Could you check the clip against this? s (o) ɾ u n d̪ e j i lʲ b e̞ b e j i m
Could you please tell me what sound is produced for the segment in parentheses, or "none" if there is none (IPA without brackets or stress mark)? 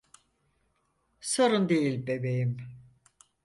o